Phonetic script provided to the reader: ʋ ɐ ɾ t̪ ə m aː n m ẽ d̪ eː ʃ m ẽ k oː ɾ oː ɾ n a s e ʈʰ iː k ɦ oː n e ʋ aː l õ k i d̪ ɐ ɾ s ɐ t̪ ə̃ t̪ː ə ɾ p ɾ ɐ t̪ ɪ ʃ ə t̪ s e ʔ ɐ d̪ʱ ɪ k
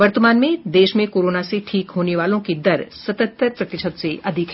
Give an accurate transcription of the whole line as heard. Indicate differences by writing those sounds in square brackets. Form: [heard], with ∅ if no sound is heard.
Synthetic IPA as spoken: ʋ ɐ ɾ t̪ ə m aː n m ẽ d̪ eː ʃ m ẽ k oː ɾ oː [∅] n a s e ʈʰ iː k ɦ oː n e ʋ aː l õ k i d̪ ɐ ɾ s ɐ t̪ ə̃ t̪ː ə ɾ p ɾ ɐ t̪ ɪ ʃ ə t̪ s e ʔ ɐ d̪ʱ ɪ k